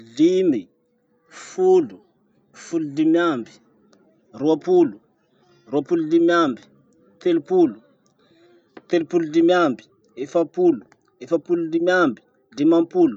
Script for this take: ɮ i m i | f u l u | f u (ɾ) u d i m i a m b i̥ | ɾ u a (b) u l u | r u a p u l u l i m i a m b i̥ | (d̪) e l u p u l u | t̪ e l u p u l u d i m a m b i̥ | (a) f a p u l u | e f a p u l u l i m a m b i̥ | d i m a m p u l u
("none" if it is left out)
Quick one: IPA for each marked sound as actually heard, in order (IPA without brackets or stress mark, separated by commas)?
l, p, t̪, e